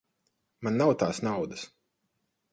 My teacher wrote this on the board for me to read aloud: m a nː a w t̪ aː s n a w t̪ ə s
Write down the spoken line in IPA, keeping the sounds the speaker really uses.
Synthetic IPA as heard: m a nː a w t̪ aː s n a w d̪ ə s